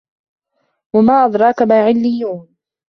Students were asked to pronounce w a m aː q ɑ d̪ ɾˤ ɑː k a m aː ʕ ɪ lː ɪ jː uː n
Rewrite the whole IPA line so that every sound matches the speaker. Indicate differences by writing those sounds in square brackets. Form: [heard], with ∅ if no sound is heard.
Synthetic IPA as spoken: w a m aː [ʔ] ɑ d̪ ɾˤ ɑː k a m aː ʕ ɪ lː ɪ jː uː n